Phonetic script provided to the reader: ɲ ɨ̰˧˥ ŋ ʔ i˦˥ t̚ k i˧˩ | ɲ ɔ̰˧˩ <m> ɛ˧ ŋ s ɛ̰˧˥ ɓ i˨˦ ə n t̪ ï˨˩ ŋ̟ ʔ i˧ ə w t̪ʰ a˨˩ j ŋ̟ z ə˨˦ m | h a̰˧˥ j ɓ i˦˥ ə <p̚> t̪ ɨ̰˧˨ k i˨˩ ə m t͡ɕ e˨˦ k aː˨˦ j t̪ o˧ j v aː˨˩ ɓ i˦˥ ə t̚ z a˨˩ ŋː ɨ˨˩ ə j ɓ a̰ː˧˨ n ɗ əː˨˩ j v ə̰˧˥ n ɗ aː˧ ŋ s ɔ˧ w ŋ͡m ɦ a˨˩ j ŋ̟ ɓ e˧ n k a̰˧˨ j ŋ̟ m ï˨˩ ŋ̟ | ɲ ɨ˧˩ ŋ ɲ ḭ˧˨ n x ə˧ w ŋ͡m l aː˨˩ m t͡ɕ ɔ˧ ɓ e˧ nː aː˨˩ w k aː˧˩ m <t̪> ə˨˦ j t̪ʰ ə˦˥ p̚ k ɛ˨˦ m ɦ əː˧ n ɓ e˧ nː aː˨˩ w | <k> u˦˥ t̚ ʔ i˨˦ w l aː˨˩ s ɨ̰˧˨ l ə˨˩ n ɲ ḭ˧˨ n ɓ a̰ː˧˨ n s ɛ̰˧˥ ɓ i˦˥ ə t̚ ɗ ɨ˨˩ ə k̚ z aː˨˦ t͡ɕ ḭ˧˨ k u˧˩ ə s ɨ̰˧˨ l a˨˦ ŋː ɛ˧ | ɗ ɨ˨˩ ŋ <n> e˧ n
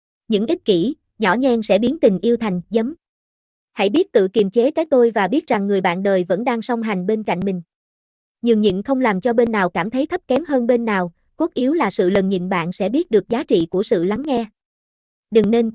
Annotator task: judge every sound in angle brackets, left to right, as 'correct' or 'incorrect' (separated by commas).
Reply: incorrect, incorrect, incorrect, correct, correct